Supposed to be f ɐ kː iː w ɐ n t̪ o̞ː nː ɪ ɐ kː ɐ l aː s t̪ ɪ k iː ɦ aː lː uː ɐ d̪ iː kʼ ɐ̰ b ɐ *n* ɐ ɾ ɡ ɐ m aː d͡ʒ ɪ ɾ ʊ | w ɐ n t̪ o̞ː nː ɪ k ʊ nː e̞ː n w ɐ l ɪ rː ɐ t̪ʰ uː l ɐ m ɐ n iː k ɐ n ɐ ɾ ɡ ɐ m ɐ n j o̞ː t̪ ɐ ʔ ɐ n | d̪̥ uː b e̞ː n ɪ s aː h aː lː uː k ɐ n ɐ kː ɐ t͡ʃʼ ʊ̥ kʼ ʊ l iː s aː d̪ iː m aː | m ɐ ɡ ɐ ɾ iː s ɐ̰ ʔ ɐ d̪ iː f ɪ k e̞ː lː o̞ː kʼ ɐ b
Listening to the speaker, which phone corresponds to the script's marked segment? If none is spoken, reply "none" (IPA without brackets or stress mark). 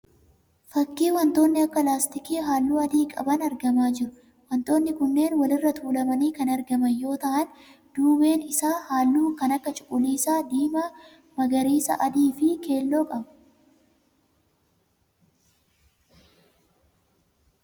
n